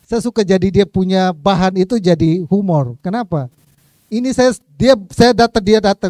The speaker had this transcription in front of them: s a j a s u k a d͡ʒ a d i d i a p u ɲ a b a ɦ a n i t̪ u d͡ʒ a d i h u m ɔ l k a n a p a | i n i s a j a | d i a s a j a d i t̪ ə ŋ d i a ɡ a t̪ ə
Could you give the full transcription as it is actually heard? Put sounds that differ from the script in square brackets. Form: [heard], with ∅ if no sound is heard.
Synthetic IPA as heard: s a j a s u k a d͡ʒ a d i d i a p u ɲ a b a ɦ a n i t̪ u d͡ʒ a d i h u m ɔ [r] k [ə] n a p a | i n i s a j a | d i a s a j a d [a] t̪ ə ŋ d i a [d] a t̪ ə

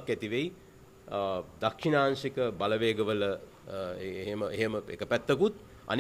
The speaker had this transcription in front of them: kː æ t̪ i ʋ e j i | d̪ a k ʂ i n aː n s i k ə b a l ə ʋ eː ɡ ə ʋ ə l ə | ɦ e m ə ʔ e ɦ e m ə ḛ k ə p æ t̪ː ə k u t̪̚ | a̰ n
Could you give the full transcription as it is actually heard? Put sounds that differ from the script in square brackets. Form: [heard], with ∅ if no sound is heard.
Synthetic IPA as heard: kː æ t̪ i ʋ e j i | d̪ a k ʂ i n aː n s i k ə b a l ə ʋ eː ɡ ə ʋ ə l ə | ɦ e m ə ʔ e ɦ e m ə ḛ k ə p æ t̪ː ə k u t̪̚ | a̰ n

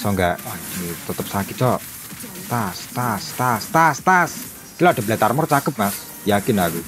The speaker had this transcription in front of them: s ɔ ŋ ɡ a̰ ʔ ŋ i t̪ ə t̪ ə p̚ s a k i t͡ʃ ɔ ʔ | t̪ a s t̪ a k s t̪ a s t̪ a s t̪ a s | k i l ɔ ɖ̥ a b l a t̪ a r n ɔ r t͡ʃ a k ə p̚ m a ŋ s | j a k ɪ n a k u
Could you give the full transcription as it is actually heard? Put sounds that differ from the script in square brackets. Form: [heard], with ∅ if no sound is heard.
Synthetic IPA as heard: s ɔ ŋ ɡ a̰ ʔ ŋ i t̪ ə t̪ ə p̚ s a k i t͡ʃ ɔ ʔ | t̪ a s t̪ a [∅] s t̪ a s t̪ a s t̪ a s | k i l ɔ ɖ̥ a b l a t̪ a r [m] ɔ r t͡ʃ a k ə p̚ m a [∅] s | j a k ɪ n a k u

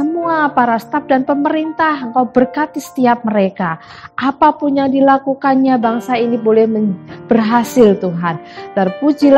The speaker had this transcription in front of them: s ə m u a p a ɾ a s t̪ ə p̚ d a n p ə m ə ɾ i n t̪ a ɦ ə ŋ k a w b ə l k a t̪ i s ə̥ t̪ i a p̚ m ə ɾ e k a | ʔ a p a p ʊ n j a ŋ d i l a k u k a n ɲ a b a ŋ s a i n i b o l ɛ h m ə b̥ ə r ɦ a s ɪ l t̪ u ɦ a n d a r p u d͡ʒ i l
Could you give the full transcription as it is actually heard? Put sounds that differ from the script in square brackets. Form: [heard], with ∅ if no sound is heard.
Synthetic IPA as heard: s ə m u a p a ɾ a s t̪ [a] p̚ d a n p ə m ə ɾ i n t̪ a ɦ ə ŋ k a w b ə [r] k a t̪ i s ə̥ t̪ i a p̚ m ə ɾ e k a | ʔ a p a p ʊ n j a ŋ d i l a k u k a n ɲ a b a ŋ s a i n i b o l ɛ h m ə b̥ ə r ɦ a s ɪ l t̪ u ɦ a n d a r p u d͡ʒ i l

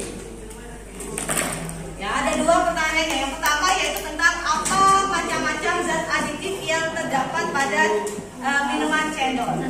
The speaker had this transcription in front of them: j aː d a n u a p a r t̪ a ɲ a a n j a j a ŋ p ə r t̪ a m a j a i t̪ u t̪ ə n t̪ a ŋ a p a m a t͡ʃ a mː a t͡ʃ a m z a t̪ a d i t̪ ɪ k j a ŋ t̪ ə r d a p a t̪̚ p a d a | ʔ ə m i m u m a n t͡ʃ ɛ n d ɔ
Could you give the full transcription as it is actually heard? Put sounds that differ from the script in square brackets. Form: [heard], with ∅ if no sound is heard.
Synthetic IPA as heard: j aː d a [d] u a p [ə] r t̪ a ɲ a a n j a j a ŋ p ə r t̪ a m a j a i t̪ u t̪ ə n t̪ a ŋ a p a m a t͡ʃ a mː a t͡ʃ a m z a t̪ a d i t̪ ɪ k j a ŋ t̪ ə r d a p a t̪̚ p a d a | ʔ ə m i [n] u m a n t͡ʃ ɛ n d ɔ

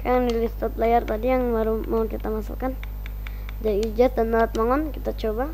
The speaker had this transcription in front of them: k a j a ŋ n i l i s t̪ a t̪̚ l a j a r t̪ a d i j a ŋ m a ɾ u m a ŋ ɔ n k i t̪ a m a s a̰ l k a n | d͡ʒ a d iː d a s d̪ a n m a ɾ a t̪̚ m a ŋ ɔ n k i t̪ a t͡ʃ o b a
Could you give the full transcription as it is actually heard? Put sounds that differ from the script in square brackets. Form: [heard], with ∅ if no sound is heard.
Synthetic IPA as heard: k a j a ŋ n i l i s t̪ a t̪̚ l a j a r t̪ a d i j a ŋ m a ɾ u m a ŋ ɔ n k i t̪ a m a s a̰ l k a n | d͡ʒ a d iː [d͡ʒ] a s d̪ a n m a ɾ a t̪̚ m a ŋ ɔ n k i t̪ a t͡ʃ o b a

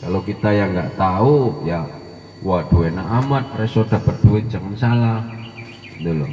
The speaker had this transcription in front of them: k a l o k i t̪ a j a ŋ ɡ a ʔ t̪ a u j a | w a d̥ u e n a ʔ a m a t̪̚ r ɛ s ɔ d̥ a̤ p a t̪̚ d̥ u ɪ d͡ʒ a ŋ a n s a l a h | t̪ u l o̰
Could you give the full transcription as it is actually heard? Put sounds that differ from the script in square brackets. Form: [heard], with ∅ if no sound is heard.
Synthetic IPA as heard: k a l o k i t̪ a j a ŋ ɡ a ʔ t̪ a u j a | w a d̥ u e n a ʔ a m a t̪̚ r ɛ s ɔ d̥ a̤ p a t̪̚ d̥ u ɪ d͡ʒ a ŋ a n s a l a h | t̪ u l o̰

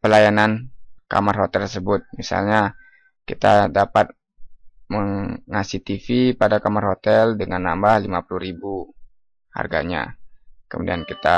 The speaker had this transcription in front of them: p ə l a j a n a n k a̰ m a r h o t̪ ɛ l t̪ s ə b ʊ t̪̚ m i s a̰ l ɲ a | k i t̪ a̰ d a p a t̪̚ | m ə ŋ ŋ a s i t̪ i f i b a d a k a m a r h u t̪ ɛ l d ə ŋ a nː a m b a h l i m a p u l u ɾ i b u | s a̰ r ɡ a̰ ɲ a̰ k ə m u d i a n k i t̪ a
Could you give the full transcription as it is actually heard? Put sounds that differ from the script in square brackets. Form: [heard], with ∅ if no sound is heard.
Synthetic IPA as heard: p ə l a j a n a n k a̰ m a r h o t̪ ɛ l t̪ s ə b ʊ t̪̚ m i s a̰ l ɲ a | k i t̪ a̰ d a p a t̪̚ | m ə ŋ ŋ a s i t̪ i f i [p] a d a k a m a r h [o] t̪ ɛ l d ə ŋ a nː a m b a h l i m a p u l u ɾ i b u | [h] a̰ r ɡ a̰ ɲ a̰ k ə m u d i a n k i t̪ a

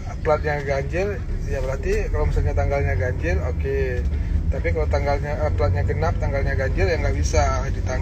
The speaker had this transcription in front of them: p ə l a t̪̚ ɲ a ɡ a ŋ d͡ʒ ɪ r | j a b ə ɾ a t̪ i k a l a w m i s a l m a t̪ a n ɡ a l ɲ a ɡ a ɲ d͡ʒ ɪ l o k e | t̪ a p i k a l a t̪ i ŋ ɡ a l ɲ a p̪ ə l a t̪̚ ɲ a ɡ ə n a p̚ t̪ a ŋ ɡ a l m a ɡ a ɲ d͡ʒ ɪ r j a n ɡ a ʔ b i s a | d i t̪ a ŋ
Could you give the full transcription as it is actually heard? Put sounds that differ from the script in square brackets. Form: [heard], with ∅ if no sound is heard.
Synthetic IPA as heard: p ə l a t̪̚ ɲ a ɡ a [ɲ] d͡ʒ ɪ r | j a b ə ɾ a t̪ i k a l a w m i s a l [ɲ] a t̪ a [ŋ] ɡ a l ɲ a ɡ a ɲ d͡ʒ ɪ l o k e | t̪ a p i k a l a t̪ [a] ŋ ɡ a l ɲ a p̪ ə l a t̪̚ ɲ a ɡ ə n a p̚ t̪ a ŋ ɡ a l [ɲ] a ɡ a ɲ d͡ʒ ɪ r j a [ŋ] ɡ a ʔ b i s a | d i t̪ a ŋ

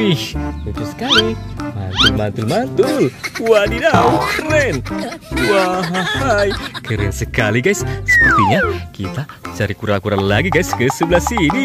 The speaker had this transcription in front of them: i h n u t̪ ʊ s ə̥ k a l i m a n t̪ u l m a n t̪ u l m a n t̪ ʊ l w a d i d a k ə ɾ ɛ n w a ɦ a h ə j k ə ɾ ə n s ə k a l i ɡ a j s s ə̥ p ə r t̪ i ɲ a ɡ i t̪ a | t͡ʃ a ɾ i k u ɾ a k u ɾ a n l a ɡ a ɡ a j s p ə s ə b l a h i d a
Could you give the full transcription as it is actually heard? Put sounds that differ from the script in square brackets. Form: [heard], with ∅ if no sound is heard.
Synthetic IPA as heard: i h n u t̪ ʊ s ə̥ k a l i m a n t̪ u l m a n t̪ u l m a n t̪ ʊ l w a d i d a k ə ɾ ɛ n w a ɦ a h [a] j k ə ɾ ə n s ə k a l i ɡ a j s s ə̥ p ə r t̪ i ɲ a [k] i t̪ a | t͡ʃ a ɾ i k u ɾ a k u ɾ a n l a ɡ [i] ɡ a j s [k] ə s ə b l a [s] i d [i]

